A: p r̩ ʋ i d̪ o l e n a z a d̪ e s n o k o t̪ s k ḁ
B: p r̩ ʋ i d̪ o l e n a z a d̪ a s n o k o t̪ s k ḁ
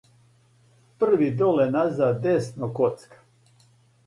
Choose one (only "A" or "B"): A